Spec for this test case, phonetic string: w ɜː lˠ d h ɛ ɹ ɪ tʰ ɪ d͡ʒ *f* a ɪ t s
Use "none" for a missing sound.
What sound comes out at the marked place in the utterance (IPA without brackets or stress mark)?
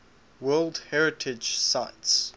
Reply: s